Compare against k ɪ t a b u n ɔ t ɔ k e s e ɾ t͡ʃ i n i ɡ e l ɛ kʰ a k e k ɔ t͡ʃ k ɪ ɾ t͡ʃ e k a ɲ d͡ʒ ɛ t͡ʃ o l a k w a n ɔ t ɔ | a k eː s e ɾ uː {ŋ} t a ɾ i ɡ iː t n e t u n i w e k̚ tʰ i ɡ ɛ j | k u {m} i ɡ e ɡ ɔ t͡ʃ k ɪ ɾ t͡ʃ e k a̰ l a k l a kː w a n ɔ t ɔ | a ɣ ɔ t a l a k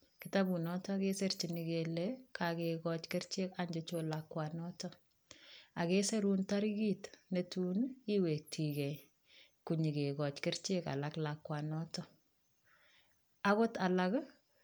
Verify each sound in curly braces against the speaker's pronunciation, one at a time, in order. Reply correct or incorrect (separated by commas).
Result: incorrect, incorrect